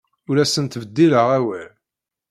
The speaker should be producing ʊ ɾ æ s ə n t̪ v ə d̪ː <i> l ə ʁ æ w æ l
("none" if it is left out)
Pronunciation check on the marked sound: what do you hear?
i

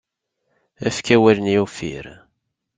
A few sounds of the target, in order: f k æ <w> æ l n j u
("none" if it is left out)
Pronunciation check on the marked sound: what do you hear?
w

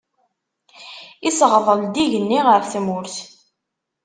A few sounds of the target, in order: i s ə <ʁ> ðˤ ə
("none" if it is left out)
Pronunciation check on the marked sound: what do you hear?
ʁ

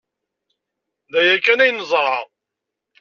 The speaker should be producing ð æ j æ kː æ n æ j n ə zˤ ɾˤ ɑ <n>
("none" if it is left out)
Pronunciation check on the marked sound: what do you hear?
none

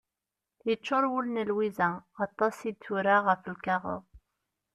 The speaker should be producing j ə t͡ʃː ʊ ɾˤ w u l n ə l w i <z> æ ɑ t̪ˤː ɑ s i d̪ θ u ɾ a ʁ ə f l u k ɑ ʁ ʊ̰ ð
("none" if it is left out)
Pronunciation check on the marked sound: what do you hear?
z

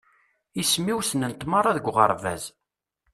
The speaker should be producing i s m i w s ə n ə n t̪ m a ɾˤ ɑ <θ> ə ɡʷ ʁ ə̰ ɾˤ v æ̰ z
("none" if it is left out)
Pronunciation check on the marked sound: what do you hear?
ð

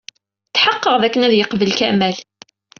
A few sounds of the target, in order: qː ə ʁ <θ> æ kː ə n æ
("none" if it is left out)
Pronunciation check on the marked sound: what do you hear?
ð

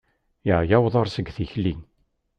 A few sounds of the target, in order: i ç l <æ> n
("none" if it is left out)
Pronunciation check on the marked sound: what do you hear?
i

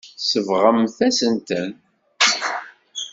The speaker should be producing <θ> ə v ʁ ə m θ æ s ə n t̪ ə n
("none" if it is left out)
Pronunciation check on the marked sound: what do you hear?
s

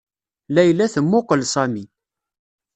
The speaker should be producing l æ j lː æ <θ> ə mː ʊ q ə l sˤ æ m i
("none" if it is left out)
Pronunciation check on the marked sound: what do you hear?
θ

